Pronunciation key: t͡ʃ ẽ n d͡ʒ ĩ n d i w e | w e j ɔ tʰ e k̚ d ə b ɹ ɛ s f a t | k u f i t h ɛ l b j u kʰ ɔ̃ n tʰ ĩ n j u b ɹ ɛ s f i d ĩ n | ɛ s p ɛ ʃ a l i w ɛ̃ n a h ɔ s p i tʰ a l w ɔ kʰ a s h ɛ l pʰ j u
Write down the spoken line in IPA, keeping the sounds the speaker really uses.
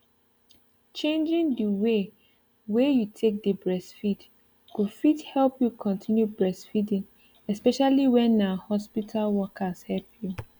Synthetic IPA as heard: t͡ʃ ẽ n d͡ʒ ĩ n d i w e | w e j u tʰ e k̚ d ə b ɹ ɛ s f i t | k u f i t h ɛ l p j u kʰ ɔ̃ n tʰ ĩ n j u b ɹ ɛ s f i d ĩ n | ɛ s p ɛ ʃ a l i w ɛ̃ n a h ɔ s p i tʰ a l w ɔ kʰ a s h ɛ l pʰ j u